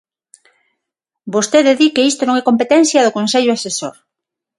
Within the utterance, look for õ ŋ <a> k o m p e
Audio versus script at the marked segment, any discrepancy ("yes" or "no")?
yes